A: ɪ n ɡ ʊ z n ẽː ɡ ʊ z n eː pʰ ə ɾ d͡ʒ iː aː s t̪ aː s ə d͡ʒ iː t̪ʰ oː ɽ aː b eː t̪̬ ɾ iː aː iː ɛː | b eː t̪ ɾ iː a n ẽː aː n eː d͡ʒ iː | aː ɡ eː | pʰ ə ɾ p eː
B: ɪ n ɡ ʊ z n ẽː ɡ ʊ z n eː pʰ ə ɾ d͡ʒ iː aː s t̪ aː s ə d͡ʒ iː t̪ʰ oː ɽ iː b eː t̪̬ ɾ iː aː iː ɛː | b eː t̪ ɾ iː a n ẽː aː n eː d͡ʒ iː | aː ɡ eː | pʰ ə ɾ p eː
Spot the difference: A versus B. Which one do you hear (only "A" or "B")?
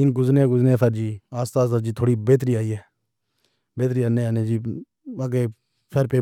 B